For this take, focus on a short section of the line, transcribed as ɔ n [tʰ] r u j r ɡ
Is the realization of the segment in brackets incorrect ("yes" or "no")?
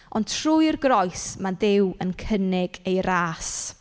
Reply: no